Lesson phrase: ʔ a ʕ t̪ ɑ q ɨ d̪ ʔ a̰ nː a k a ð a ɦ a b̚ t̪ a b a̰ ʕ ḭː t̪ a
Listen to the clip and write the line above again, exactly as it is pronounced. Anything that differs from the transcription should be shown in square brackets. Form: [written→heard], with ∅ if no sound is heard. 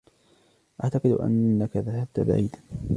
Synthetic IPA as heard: ʔ a ʕ t̪ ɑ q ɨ d̪ ʔ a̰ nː a k a ð a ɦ a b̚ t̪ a b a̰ ʕ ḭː [t̪→d̪] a